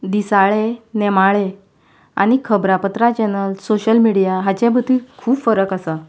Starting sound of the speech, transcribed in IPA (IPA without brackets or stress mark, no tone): d̪